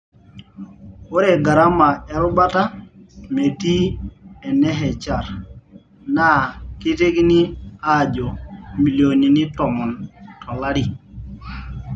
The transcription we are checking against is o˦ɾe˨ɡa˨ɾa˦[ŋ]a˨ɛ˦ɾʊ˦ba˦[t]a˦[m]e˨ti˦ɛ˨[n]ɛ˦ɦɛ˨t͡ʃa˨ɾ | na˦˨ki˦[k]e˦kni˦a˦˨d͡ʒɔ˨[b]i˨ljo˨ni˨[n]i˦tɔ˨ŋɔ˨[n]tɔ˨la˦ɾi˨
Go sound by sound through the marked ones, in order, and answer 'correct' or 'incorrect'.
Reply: incorrect: m, correct, correct, correct, incorrect: t, incorrect: m, correct, correct

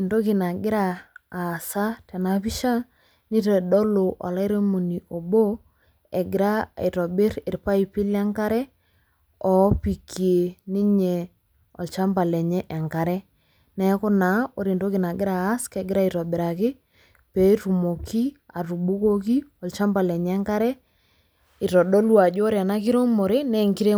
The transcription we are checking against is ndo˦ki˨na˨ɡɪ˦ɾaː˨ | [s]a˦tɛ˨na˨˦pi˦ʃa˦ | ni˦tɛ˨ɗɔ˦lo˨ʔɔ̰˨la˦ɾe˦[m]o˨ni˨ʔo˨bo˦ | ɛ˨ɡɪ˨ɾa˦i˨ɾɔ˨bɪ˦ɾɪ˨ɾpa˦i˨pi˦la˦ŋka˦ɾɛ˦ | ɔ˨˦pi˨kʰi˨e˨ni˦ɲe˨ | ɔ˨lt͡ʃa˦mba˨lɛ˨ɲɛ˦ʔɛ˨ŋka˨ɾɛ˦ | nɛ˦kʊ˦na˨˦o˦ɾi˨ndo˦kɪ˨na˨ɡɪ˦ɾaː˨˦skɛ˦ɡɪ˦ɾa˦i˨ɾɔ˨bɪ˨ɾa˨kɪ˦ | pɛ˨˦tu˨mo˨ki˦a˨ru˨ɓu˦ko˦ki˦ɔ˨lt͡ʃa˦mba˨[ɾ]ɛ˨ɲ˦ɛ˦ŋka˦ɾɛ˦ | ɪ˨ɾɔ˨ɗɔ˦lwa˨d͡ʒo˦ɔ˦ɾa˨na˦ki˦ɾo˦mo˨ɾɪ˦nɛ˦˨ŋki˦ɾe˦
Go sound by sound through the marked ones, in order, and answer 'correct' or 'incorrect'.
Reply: correct, correct, incorrect: l

